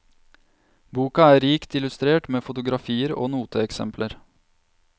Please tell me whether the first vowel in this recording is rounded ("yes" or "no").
yes